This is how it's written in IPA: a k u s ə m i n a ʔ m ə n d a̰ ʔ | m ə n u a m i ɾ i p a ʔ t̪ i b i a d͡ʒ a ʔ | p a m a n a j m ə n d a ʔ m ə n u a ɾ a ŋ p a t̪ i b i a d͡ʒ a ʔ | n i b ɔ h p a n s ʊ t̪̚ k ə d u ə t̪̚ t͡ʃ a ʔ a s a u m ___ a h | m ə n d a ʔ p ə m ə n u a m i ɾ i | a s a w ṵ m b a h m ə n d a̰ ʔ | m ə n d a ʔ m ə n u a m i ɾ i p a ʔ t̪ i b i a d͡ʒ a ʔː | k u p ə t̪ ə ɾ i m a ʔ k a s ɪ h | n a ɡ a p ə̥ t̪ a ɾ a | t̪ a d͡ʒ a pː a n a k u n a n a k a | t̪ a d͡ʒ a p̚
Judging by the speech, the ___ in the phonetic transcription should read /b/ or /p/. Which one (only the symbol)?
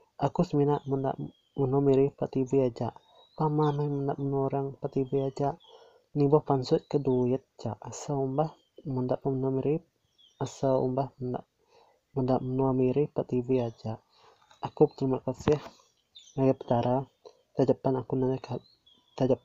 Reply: b